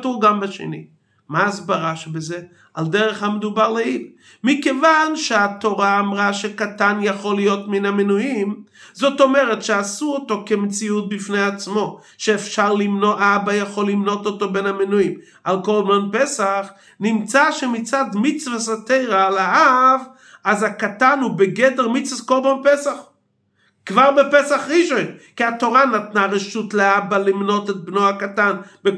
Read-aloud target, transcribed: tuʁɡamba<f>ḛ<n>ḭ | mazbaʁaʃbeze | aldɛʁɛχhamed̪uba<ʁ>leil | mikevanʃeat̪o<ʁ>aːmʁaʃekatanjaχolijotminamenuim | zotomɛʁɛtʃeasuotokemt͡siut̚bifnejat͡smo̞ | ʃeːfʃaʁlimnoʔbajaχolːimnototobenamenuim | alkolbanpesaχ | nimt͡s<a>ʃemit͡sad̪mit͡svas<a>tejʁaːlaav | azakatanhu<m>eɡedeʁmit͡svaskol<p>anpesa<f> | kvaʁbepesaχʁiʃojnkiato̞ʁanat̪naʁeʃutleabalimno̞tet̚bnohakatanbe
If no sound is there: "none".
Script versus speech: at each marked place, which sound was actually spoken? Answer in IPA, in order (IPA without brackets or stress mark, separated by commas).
ʃ, n, ʁ, ʁ, a, a, b, b, χ